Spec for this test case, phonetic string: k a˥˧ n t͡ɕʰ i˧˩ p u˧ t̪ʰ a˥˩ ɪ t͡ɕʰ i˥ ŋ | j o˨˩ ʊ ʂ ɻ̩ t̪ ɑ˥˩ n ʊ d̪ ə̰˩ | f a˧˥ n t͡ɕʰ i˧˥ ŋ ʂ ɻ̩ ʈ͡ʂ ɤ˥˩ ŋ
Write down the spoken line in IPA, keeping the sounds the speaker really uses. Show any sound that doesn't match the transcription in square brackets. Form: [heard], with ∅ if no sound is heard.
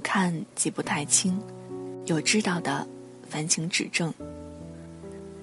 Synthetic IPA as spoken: [kʰ] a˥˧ n [t͡ɕ] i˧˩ p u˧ t̪ʰ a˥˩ ɪ t͡ɕʰ i˥ ŋ | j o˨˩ ʊ [ʈ͡ʂ] ɻ̩ t̪ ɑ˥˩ [∅] ʊ d̪ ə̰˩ | f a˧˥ n t͡ɕʰ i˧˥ ŋ [ʈ͡ʂ] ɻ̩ ʈ͡ʂ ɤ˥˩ ŋ